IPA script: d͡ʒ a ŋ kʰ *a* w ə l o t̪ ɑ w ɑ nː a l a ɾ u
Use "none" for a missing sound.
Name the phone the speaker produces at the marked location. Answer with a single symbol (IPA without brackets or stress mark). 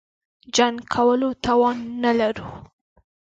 a